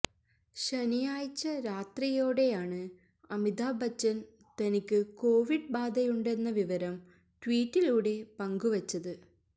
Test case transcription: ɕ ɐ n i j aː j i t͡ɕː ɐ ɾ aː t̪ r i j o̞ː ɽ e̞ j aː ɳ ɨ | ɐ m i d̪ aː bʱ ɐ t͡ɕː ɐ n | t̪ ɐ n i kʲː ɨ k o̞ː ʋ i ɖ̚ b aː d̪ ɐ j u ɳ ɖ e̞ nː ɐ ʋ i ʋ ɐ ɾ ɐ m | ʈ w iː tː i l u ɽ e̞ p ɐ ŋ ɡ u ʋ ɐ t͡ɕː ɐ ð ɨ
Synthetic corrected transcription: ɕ ɐ n i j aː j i t͡ɕː ɐ ɾ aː t̪ r i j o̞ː ɽ e̞ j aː ɳ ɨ | ɐ m i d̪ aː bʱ ɐ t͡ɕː ɐ n | t̪ ɐ n i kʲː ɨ k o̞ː ʋ i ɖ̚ b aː d̪ ɐ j u ɳ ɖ e̞ nː ɐ ʋ i ʋ ɐ ɾ ɐ m | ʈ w iː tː i l uː ɽ e̞ p ɐ ŋ ɡ u ʋ ɐ t͡ɕː ɐ ð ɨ

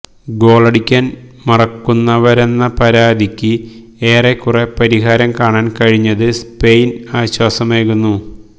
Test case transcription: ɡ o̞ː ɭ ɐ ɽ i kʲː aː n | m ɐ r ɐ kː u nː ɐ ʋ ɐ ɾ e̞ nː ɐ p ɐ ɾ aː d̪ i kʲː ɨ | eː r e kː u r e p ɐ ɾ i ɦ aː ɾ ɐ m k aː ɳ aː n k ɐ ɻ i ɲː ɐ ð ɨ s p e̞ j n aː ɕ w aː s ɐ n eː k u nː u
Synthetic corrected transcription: ɡ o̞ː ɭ ɐ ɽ i kʲː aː n | m ɐ r ɐ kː u nː ɐ ʋ ɐ ɾ e̞ nː ɐ p ɐ ɾ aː d̪ i kʲː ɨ | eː r e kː u r e p ɐ ɾ i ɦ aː ɾ ɐ m k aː ɳ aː n k ɐ ɻ i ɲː ɐ ð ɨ s p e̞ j n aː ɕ w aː s ɐ m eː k u nː u

